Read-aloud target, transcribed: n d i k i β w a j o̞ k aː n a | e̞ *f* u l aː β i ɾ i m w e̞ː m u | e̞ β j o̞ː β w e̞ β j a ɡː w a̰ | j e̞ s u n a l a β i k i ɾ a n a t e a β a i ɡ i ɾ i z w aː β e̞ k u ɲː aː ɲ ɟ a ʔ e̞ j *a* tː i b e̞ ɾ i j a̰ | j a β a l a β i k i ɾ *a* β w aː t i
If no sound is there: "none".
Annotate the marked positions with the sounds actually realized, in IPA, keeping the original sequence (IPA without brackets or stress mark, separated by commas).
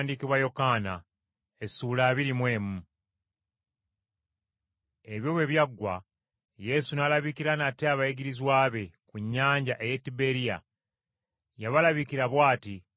s, e, a